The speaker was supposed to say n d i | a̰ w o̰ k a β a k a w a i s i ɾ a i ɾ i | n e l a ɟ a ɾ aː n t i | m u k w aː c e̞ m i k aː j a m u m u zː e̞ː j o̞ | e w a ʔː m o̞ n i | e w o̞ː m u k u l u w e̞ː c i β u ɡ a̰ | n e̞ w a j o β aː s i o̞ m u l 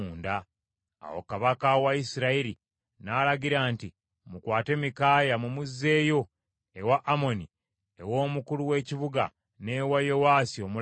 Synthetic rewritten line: n d a | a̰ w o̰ k a β a k a w a i s i ɾ a i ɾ i | n a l a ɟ i ɾ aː n t i | m u k w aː t e̞ m i k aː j a m u m u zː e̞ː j o̞ | e w a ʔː m o̞ n i | e w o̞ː m u k u l u w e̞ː c i β u ɡ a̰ | n e̞ w a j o w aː s i o̞ m u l